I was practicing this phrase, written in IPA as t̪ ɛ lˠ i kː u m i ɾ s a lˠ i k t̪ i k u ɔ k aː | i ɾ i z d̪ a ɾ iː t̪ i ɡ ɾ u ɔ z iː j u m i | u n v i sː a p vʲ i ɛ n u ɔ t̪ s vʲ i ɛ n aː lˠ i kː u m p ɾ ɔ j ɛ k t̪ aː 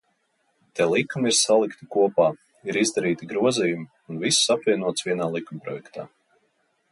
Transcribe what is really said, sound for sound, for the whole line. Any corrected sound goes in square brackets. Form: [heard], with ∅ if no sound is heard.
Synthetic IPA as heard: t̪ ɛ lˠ i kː u m i ɾ s a lˠ i k t̪ i k u ɔ [p] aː | i ɾ i z d̪ a ɾ iː t̪ i ɡ ɾ u ɔ z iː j u m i | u n v i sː a p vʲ i ɛ n u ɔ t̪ s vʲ i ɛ n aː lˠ i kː u m p ɾ ɔ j ɛ k t̪ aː